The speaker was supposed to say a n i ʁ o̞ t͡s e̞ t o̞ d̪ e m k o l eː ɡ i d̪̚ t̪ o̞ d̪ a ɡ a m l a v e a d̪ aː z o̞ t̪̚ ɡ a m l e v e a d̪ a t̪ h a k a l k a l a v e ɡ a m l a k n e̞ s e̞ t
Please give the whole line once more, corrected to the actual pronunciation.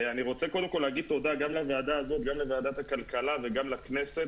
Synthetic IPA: a n i ʁ o̞ t͡s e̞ k o̞ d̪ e m k o l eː ɡ i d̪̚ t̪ o̞ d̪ a ɡ a m l a v e a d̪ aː z o̞ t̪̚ ɡ a m l e v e a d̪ a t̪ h a k a l k a l a v e ɡ a m l a k n e̞ s e̞ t